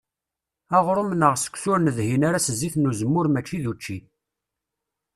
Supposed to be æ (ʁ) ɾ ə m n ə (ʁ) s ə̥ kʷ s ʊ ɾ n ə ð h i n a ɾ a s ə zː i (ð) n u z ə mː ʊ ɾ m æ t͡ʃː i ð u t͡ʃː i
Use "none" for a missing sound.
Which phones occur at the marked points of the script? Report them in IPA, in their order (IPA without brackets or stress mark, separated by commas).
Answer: ʁ, ʁ, θ